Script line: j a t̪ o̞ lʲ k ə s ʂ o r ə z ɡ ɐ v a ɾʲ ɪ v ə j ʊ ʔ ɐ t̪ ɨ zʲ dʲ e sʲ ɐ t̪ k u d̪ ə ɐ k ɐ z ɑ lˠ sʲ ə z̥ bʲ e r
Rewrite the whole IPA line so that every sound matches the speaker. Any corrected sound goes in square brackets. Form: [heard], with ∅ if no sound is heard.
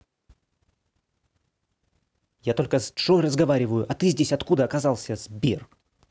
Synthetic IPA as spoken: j a t̪ o̞ lʲ k ə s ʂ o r ə z ɡ ɐ v a ɾʲ ɪ v ə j ʊ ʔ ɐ t̪ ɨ zʲ dʲ e sʲ ɐ t̪ k u d̪ ə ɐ k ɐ z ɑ lˠ sʲ ə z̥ bʲ e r